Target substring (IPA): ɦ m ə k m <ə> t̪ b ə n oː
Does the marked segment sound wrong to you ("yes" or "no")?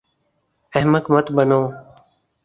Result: no